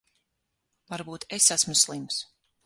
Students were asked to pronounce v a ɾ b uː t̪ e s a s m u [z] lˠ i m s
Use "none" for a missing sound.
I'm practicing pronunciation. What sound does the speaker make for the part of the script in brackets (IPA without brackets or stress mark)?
s